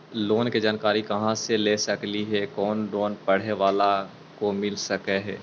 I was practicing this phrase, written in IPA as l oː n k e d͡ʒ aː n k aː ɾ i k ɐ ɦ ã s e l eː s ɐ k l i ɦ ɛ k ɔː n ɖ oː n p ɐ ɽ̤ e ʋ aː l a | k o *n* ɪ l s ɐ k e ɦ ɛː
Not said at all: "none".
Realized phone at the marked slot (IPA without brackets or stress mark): m